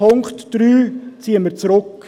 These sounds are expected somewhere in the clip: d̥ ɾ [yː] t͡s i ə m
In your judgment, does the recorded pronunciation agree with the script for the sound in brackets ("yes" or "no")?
yes